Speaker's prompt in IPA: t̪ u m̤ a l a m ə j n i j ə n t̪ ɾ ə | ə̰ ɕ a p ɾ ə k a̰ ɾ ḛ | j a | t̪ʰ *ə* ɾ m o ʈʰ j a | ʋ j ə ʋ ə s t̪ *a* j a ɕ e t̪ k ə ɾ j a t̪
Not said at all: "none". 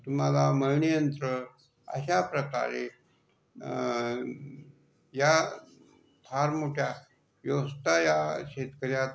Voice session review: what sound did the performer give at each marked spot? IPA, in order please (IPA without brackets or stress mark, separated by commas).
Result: a, a